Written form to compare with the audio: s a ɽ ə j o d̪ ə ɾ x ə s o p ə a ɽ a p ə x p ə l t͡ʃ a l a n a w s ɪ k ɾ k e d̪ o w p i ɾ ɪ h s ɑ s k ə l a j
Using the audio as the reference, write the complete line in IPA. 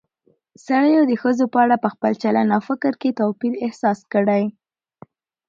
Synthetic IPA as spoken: s a ɽ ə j o d̪ ə x ə z o p ə a ɽ a p ə x p ə l t͡ʃ a l a n a w f ɪ k ɾ k e t̪ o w p i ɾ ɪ h s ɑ s k ə ɽ a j